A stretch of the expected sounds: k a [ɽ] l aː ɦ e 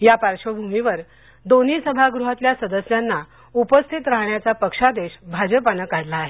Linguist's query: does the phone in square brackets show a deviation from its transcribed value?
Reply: no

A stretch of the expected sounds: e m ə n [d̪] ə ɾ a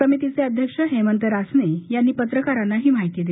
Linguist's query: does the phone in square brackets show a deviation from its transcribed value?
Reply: yes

